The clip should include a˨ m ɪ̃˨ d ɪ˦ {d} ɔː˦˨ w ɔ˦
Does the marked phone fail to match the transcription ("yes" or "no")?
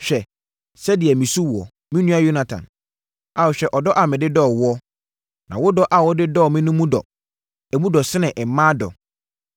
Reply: no